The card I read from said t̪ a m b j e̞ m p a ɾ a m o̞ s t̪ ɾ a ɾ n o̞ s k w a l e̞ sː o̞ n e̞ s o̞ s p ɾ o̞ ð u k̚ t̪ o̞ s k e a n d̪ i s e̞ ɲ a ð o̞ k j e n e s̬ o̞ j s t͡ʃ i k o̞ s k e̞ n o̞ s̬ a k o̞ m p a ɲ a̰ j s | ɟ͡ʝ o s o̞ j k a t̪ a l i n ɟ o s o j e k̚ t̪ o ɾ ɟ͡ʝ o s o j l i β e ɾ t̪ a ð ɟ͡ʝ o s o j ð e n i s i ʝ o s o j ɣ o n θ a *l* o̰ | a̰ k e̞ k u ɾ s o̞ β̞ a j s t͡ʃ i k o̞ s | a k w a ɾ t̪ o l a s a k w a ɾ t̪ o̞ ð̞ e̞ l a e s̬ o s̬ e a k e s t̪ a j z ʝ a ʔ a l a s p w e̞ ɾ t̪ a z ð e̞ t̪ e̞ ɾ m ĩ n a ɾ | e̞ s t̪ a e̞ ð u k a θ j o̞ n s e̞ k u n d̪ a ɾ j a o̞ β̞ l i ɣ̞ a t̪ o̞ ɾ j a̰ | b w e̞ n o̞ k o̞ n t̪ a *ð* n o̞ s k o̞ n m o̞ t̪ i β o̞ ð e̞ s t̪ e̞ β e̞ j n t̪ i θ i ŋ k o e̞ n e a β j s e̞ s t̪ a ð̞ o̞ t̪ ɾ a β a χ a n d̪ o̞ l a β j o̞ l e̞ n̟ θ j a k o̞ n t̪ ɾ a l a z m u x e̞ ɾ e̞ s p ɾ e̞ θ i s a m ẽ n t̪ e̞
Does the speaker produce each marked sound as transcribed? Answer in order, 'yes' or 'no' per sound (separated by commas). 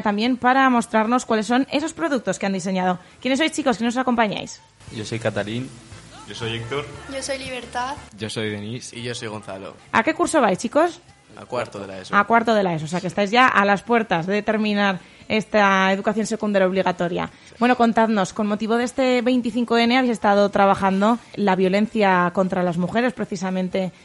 yes, yes